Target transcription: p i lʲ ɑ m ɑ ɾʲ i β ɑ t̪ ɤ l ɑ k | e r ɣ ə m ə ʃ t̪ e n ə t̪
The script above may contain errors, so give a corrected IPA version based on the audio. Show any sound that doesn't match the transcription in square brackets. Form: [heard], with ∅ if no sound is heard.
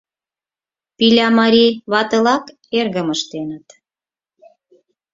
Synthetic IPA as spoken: p i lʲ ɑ m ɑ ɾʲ i β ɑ t̪ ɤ l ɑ k | e r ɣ ə m ə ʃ t̪ e n ə t̪